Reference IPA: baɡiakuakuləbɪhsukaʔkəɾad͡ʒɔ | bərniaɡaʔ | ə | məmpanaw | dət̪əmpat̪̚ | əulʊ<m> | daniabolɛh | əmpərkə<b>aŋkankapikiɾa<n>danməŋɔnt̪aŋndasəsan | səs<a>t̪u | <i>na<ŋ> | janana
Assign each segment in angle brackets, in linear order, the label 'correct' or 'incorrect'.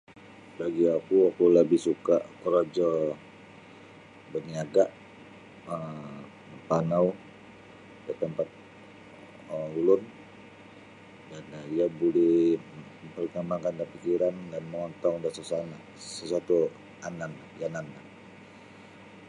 incorrect, incorrect, correct, correct, incorrect, incorrect

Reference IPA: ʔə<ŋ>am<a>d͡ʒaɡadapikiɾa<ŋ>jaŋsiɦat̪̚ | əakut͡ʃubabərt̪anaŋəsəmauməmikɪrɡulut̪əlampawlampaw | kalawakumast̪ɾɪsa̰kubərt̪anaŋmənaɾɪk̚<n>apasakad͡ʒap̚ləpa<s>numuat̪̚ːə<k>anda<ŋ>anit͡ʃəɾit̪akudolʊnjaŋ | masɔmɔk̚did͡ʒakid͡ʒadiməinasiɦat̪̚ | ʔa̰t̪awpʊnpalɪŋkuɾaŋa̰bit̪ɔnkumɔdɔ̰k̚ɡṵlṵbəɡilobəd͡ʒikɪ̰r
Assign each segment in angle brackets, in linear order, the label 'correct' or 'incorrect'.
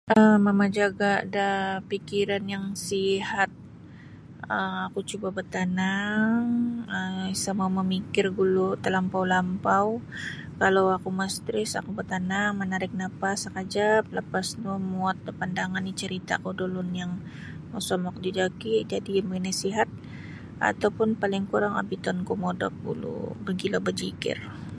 incorrect, correct, incorrect, correct, correct, incorrect, correct

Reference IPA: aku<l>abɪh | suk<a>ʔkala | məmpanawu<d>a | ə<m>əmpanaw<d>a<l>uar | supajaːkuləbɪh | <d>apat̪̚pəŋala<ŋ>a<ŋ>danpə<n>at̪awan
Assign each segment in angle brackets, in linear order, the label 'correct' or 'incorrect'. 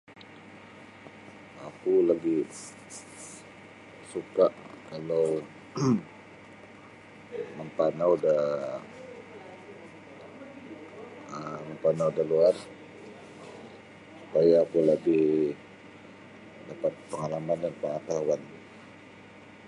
correct, correct, correct, correct, correct, correct, correct, incorrect, incorrect, incorrect

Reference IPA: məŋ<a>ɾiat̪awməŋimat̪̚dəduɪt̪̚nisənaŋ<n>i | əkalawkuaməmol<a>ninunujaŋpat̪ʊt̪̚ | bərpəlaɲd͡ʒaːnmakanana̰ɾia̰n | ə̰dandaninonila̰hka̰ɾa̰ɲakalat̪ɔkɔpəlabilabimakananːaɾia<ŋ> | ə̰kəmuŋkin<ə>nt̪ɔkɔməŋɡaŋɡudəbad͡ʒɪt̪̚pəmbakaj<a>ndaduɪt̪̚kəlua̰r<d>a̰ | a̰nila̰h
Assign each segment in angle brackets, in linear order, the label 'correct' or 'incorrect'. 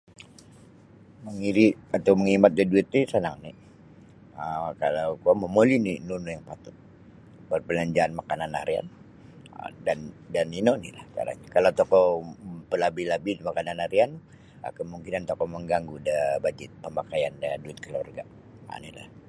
incorrect, correct, incorrect, incorrect, incorrect, correct, incorrect

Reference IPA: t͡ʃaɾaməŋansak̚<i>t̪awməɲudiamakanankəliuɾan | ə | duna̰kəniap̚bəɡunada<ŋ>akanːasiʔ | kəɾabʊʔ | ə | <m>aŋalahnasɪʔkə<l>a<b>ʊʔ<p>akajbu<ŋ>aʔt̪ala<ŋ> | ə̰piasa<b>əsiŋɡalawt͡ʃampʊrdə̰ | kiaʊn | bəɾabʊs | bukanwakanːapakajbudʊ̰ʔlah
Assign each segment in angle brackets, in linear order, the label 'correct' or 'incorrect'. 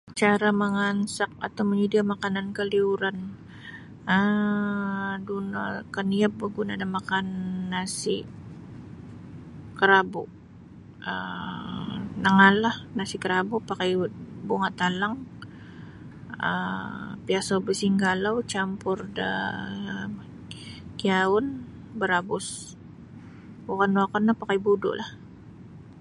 incorrect, incorrect, incorrect, incorrect, correct, correct, correct, correct, correct

